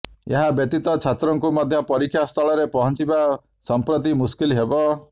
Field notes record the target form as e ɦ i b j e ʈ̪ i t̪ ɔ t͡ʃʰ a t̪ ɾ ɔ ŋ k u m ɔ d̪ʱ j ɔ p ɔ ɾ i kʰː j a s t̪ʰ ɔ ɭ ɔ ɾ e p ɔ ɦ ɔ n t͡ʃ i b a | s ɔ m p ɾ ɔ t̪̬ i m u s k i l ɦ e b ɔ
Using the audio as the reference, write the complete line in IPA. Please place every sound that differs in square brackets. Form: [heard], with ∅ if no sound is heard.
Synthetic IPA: e ɦ [a] b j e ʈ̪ i t̪ ɔ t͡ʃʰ a t̪ ɾ ɔ ŋ k u m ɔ d̪ʱ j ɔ p ɔ ɾ i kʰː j a s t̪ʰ ɔ ɭ ɔ ɾ e p ɔ ɦ ɔ n t͡ʃ i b a | s ɔ m p ɾ ɔ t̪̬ i m u s k i l ɦ e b ɔ